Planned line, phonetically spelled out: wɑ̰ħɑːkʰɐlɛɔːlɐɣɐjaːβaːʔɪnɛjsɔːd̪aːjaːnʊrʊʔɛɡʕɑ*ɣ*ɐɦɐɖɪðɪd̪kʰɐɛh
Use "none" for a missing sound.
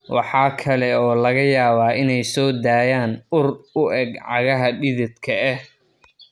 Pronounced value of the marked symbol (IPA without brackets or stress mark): ɣ